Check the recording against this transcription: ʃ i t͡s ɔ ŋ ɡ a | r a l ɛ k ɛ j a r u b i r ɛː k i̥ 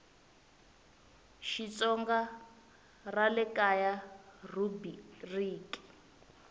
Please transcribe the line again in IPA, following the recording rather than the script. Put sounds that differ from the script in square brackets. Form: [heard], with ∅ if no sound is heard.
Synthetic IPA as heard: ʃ i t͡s ɔ ŋ ɡ a | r a l ɛ k [a] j a r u b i r [iː] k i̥

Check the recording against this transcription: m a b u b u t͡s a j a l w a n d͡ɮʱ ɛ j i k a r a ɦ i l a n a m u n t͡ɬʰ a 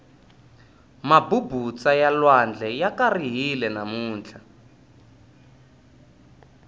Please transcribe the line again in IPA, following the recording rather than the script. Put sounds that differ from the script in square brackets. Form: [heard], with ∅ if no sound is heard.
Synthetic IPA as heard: m a b u b u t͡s a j a l w a n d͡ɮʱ ɛ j [a] k a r [i] ɦ i l [ɛ] n a m [uː] n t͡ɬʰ a

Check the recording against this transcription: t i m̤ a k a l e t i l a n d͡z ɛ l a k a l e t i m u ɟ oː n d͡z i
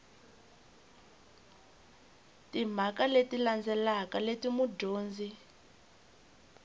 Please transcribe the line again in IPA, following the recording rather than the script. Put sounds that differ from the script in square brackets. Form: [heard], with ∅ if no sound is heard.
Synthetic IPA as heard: t i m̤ a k a l e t i l a n d͡z ɛ l a k a l e t i m u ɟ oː n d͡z i

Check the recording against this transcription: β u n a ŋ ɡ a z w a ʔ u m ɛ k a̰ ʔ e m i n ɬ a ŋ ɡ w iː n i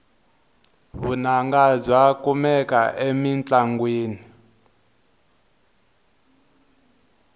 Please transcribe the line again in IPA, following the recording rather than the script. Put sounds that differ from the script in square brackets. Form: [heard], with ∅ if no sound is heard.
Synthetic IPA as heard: β u n a ŋ ɡ a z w a [k] u m ɛ k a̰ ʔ e m i n [t͡ɬ] a ŋ ɡ w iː n i

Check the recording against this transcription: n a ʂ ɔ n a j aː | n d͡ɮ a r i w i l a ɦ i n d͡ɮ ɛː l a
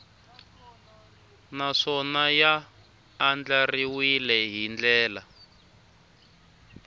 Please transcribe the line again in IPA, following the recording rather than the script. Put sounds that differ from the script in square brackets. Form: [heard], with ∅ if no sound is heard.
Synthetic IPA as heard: n a ʂ ɔ n a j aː | n d͡ɮ a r i w i l [ɛ] ɦ i n d͡ɮ ɛː l a

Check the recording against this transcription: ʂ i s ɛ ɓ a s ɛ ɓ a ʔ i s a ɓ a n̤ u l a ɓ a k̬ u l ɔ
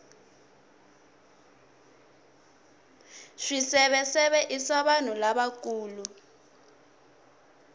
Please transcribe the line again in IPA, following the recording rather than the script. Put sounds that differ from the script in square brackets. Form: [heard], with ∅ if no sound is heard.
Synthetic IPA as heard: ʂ i s ɛ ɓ [ɛ] s ɛ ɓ [ɛ] ʔ i s a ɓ a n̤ u l a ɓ a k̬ [uː] l [u]

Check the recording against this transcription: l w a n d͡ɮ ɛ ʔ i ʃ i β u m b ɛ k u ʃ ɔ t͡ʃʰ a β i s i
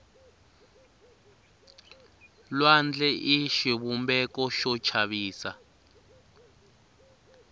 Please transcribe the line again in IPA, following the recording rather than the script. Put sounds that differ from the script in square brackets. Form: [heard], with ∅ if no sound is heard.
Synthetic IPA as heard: l w a n d͡ɮ ɛ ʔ i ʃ i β u m b ɛ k [ɔ] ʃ ɔ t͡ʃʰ a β [iː] s [a]

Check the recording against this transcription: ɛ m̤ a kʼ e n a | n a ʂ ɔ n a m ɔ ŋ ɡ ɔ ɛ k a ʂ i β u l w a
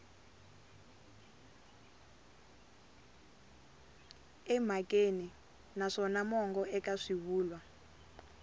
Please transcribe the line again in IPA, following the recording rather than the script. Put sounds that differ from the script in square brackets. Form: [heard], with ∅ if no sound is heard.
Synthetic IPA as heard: ɛ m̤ a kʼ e n [i] | n a ʂ ɔ n a m ɔ ŋ ɡ ɔ ɛ k a ʂ i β [uː] l w a

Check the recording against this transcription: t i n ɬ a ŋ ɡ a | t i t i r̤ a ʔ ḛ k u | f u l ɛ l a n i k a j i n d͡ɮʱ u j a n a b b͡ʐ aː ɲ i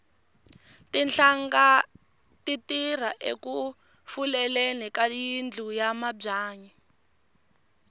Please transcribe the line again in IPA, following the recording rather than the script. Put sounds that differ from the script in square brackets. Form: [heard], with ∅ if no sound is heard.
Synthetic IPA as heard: t i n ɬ a ŋ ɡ a | t i t i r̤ a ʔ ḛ k u | f u l ɛ l [e] n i k a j i n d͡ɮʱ u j a [m] a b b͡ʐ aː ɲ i

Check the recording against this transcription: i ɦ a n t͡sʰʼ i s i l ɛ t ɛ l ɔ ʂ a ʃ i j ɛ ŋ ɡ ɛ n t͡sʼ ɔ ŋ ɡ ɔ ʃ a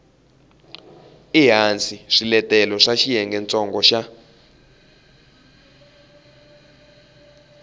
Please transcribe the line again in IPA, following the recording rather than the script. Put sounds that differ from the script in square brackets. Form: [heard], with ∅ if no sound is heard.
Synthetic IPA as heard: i ɦ a n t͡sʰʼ i [ʂ] i l ɛ t ɛ l ɔ ʂ a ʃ i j ɛ ŋ ɡ ɛ n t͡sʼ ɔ ŋ ɡ ɔ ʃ a

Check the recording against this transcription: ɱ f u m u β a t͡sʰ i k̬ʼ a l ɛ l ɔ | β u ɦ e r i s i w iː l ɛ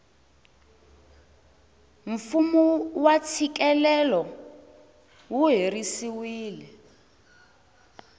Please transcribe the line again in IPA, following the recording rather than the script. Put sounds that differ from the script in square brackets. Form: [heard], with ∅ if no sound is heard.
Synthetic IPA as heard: ɱ f u m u [w] a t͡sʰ i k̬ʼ [ɛ] l ɛ l ɔ | [w] u ɦ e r i s i w iː l ɛ

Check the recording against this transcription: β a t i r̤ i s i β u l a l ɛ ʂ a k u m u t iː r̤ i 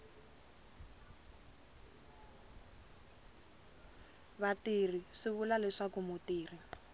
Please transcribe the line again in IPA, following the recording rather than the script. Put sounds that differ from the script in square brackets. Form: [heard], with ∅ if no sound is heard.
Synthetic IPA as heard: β a t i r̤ i [ʂ] i β u l a l ɛ ʂ a k u m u t iː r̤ i

